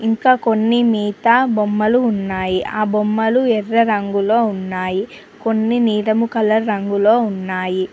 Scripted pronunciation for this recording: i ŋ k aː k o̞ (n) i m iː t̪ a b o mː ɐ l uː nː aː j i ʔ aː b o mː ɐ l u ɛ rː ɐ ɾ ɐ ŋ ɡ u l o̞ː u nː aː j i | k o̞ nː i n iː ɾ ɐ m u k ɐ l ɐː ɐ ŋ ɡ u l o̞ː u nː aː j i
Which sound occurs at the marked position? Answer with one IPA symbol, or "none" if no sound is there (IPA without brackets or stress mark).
nː